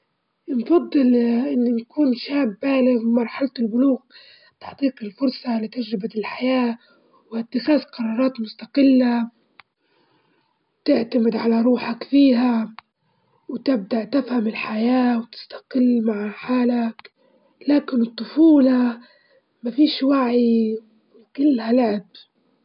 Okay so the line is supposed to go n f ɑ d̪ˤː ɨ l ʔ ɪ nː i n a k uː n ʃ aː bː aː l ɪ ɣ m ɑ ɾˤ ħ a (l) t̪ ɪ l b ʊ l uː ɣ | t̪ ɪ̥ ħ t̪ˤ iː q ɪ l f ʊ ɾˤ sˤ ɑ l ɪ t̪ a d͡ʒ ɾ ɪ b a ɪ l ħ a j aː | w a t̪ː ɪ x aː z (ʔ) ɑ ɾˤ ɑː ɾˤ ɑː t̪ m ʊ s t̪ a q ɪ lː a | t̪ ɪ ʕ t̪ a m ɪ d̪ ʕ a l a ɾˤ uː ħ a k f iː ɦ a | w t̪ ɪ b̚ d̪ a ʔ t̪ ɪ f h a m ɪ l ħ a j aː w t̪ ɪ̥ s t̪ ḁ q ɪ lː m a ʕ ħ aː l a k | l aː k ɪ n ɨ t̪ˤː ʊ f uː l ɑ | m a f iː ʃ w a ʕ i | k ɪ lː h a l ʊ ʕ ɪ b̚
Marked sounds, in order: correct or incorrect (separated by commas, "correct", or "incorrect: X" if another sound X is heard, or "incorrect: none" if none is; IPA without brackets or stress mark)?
correct, incorrect: q